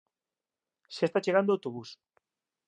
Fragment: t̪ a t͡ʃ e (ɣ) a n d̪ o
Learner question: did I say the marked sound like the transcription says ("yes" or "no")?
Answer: yes